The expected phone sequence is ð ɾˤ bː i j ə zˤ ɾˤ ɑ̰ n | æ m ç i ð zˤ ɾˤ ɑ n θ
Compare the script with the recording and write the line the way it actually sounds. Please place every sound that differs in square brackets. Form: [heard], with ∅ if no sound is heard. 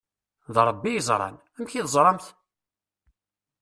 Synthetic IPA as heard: ð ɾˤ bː i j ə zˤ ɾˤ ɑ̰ n | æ m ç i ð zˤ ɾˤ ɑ [m] θ